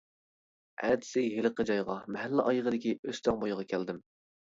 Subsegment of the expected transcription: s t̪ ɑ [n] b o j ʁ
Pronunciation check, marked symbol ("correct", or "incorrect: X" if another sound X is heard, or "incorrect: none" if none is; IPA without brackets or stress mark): incorrect: ŋ